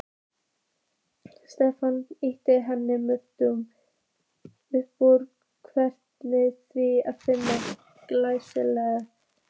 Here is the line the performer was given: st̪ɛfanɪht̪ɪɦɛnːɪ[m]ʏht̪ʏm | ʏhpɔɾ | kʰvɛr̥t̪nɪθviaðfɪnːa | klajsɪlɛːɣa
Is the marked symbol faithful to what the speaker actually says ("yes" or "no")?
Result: yes